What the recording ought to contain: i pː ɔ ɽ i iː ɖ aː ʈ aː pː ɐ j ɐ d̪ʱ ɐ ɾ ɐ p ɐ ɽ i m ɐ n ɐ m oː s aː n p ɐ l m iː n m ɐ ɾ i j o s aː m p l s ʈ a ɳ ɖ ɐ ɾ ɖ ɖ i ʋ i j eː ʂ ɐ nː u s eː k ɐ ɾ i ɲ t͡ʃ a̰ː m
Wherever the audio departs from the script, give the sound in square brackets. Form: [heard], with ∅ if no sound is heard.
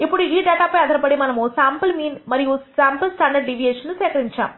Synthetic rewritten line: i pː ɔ ɽ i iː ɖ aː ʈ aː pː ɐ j ɐ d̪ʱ ɐ ɾ ɐ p ɐ ɽ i m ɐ n ɐ m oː s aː [m] p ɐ l m iː n m ɐ ɾ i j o s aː m p l s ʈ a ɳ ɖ ɐ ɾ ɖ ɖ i ʋ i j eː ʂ ɐ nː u s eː k ɐ ɾ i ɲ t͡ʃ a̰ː m

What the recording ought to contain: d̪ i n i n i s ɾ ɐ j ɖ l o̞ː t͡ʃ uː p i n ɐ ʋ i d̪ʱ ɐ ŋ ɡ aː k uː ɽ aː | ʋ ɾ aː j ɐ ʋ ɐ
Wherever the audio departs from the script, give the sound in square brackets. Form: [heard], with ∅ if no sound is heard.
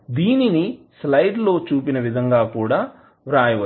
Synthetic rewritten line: d̪ [iː] n i n i s [l] ɐ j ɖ l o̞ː t͡ʃ uː p i n ɐ ʋ i d̪ʱ ɐ ŋ ɡ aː k uː ɽ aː | ʋ ɾ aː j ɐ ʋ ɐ

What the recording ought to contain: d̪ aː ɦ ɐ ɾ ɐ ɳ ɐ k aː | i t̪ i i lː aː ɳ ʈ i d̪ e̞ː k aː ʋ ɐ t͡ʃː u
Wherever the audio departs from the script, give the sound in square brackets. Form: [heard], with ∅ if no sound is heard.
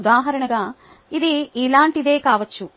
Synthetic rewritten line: d̪ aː ɦ ɐ ɾ ɐ ɳ ɐ [ɡ] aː | i [d̪] i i [l] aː ɳ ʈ i d̪ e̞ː k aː ʋ ɐ t͡ʃː u

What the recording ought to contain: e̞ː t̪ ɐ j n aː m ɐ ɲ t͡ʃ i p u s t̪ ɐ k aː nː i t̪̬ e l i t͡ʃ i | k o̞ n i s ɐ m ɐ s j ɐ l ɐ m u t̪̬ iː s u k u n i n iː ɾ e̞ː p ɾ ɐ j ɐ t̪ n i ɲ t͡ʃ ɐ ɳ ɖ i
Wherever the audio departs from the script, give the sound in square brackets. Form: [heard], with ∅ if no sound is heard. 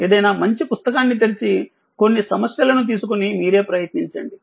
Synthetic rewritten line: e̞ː [d̪] ɐ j n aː m ɐ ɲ t͡ʃ i p u s t̪ ɐ k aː nː i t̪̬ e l i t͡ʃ i | k o̞ [nː] i s ɐ m ɐ s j ɐ l ɐ [n] u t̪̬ iː s u k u n i [m] iː ɾ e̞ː p ɾ ɐ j ɐ t̪ n i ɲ t͡ʃ ɐ ɳ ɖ i

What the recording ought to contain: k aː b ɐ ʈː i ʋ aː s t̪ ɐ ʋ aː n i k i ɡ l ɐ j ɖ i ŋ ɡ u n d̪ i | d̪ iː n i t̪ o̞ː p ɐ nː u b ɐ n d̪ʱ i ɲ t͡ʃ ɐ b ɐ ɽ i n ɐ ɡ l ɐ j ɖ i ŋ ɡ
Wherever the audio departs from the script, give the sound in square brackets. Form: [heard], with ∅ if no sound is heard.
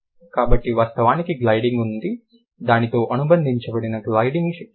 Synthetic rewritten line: k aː b ɐ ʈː i ʋ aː s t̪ ɐ ʋ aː n i k i ɡ l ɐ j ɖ i ŋ ɡ u n d̪ i | d̪ [aː] n i t̪ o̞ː [ʔ] ɐ [n] u b ɐ n d̪ʱ i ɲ t͡ʃ ɐ b ɐ ɽ i n ɐ ɡ l ɐ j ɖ i ŋ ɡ

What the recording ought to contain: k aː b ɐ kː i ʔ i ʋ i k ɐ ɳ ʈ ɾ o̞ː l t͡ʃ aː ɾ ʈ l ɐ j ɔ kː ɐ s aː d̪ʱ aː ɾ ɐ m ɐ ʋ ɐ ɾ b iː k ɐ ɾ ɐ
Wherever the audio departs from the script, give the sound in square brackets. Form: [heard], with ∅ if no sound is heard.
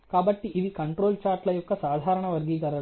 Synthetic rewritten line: k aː b ɐ [ʈː] i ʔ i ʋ i k ɐ ɳ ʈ ɾ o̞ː l t͡ʃ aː ɾ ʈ l ɐ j ɔ kː ɐ s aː d̪ʱ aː ɾ ɐ [ɳ] ɐ ʋ ɐ ɾ [ɡ] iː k ɐ ɾ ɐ

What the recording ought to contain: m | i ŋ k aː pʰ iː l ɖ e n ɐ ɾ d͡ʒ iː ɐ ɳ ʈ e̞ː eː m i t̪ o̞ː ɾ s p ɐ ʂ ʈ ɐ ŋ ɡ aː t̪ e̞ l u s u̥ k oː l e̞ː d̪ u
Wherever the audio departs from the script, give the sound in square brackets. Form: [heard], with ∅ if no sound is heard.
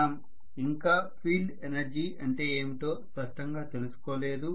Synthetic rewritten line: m | i ŋ k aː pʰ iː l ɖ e n ɐ ɾ d͡ʒ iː ɐ ɳ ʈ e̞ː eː m i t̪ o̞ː [∅] s p ɐ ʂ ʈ ɐ ŋ ɡ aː t̪ e̞ l u s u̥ k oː l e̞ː d̪ u

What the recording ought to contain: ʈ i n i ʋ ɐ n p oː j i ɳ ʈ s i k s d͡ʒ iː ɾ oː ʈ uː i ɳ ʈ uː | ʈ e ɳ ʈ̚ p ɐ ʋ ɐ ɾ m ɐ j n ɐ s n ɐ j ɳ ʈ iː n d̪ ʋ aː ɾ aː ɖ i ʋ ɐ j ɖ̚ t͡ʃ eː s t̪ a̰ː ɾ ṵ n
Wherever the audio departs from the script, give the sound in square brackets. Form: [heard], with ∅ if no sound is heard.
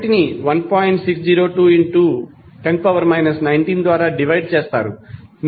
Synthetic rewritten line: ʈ i n i ʋ ɐ n p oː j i ɳ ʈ s i k s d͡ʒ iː ɾ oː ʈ uː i ɳ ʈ uː | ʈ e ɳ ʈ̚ p ɐ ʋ ɐ ɾ m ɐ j n ɐ s n ɐ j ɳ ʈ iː n d̪ ʋ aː ɾ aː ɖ i ʋ ɐ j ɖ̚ t͡ʃ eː s t̪ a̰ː ɾ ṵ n

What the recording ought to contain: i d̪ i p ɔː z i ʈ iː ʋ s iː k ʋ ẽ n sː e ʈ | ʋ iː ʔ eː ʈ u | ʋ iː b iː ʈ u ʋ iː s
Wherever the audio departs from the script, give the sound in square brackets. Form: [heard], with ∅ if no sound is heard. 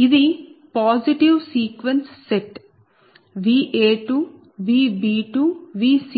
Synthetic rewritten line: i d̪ i p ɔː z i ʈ [i] ʋ s iː k ʋ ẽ n sː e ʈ | ʋ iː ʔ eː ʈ u | ʋ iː b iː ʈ u ʋ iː s

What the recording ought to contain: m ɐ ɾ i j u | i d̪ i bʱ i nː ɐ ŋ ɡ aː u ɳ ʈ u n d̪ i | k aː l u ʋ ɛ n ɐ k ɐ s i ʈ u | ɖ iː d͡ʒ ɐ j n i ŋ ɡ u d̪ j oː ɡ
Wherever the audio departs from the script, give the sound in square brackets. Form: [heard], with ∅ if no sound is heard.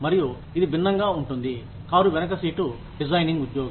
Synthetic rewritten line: m ɐ ɾ i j u | i d̪ i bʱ i nː ɐ ŋ ɡ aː u ɳ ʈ u n d̪ i | k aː [ɾ] u ʋ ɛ n ɐ k ɐ s [iː] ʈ u | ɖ [i] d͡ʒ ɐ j n i ŋ ɡ u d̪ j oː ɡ

